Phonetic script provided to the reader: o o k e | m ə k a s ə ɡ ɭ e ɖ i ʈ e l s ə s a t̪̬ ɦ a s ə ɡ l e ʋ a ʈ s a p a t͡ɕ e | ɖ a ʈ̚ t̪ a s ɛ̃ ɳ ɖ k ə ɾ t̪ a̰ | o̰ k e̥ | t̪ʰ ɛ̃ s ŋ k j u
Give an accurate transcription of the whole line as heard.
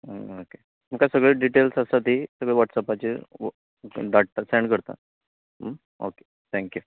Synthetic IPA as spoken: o o k e | m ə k a s ə ɡ ɭ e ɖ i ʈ e l s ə s a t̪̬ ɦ i s ə ɡ ɭ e ʋ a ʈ s a p a t͡ɕ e | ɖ a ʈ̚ t̪ a s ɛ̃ ɳ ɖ k ə ɾ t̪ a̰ | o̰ k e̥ | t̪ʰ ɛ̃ ŋ k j u

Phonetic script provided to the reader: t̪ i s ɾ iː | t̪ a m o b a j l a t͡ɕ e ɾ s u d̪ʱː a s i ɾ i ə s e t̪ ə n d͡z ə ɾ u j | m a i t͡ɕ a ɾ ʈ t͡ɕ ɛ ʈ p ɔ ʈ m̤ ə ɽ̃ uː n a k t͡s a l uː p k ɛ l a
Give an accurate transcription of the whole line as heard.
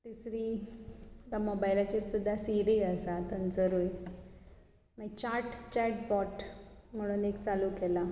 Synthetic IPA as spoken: t̪ i s ɾ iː | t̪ a m o b a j l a t͡ɕ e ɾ s u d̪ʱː a s i ɾ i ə s a t̪ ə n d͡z ə ɾ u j | m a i t͡ɕ a ɾ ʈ t͡ɕ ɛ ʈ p ɔ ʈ m̤ ə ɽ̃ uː n e k t͡s a l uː k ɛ l a

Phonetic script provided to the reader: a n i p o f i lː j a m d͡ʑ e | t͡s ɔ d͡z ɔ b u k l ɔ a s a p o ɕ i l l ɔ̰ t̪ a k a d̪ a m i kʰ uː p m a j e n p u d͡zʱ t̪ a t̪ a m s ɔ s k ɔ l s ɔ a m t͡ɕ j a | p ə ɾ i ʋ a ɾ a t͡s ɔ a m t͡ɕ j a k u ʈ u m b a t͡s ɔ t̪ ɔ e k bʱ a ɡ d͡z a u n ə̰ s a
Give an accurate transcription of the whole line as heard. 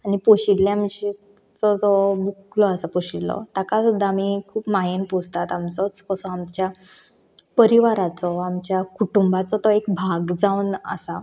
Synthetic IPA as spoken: a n i p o ɕ i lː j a m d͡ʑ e | t͡s ɔ d͡z ɔ b u k l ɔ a s a p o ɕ i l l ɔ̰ t̪ a k a d̪ a m i kʰ uː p m a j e n p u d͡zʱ t̪ a t̪ a m t͡s ɔ t͡s k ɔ s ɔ a m t͡ɕ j a | p ə ɾ i ʋ a ɾ a t͡s ɔ a m t͡ɕ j a k u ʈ u m b a t͡s ɔ t̪ ɔ e k bʱ a ɡ d͡z a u n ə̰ s a

